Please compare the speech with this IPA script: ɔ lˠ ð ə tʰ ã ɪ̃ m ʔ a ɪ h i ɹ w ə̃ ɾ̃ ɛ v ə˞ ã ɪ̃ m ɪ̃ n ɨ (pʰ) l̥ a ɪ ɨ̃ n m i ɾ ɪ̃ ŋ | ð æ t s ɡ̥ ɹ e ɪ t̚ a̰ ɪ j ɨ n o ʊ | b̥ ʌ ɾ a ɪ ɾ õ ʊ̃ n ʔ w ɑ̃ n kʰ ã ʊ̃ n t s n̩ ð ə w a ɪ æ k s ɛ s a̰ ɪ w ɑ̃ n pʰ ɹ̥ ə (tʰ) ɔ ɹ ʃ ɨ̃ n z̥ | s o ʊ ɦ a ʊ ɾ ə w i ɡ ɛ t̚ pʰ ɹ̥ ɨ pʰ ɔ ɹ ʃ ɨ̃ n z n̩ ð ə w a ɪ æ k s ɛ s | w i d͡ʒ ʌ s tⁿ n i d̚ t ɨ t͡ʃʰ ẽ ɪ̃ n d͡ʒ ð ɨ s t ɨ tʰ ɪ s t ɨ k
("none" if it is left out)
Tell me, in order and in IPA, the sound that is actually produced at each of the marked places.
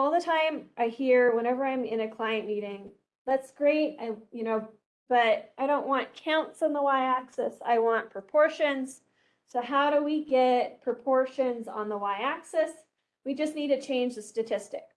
kʰ, pʰ

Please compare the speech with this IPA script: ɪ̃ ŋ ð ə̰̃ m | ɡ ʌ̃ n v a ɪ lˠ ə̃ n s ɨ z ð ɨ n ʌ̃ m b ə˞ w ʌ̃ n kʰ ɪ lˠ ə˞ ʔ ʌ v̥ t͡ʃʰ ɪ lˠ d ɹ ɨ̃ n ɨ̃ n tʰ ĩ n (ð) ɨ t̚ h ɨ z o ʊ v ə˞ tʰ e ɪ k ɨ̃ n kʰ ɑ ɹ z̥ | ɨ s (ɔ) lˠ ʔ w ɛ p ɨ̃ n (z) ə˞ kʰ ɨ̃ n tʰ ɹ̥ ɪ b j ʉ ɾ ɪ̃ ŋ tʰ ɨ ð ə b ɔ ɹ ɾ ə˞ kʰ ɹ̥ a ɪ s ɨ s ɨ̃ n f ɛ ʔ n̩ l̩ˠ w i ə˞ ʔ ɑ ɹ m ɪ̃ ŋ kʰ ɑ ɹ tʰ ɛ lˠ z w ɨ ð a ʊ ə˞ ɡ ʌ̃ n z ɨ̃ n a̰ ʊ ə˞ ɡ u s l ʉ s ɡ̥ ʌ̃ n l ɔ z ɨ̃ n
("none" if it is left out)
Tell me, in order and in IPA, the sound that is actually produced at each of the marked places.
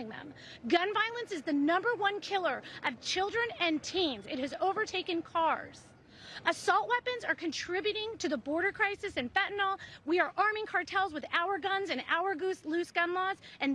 z, ɔ, z

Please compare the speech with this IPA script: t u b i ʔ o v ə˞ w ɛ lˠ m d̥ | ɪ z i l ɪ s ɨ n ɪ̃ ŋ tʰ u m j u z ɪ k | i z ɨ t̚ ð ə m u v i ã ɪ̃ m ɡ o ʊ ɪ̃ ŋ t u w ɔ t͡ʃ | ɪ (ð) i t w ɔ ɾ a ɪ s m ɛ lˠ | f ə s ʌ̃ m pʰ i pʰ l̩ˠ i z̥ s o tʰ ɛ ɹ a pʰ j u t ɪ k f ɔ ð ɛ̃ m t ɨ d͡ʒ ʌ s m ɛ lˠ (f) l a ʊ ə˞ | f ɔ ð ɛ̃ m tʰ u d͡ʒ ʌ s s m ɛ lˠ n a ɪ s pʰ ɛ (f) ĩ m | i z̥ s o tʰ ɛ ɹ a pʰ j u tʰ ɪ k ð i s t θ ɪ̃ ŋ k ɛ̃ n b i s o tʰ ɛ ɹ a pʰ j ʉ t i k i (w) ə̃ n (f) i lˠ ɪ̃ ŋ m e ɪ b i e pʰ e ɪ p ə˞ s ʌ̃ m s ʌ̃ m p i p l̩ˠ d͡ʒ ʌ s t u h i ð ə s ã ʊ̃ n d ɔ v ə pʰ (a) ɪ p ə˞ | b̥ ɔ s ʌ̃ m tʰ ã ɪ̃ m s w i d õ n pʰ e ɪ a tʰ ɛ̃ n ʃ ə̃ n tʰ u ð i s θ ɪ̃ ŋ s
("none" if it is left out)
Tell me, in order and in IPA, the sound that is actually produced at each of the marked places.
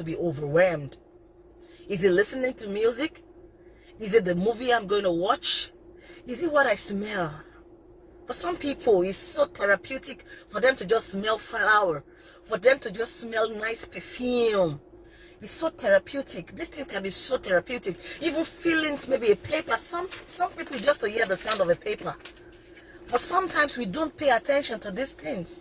z, f, f, v, f, e

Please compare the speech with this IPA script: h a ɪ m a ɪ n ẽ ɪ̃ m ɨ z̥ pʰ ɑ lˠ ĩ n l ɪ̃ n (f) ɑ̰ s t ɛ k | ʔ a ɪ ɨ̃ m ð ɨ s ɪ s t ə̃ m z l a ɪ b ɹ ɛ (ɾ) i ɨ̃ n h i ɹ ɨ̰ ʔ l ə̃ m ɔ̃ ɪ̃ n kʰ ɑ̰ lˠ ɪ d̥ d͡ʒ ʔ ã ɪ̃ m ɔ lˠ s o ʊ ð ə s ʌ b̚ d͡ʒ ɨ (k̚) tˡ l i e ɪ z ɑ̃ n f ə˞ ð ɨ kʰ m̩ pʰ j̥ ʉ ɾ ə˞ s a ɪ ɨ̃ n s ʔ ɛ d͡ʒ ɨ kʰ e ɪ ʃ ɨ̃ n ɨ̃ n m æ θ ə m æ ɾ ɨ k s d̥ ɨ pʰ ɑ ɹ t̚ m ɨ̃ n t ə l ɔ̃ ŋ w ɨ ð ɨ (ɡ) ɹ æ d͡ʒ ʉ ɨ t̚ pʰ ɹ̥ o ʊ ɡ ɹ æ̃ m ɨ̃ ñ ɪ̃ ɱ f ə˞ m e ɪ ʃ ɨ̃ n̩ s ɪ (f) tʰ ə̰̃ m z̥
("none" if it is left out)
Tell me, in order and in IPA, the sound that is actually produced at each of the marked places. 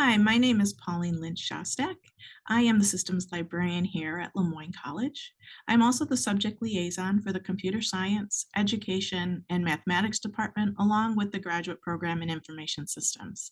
ʃ, ɹ, k̚, ɡ, s

